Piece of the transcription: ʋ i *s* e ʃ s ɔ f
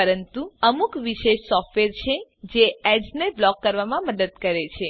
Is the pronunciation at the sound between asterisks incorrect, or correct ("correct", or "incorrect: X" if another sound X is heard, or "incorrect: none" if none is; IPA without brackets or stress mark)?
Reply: incorrect: ʃ